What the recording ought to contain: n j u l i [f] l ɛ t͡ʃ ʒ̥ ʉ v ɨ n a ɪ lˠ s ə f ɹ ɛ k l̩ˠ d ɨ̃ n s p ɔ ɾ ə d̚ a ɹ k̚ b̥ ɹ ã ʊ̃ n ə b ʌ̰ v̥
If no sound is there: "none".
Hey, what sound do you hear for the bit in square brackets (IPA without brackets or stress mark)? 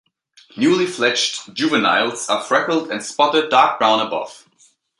f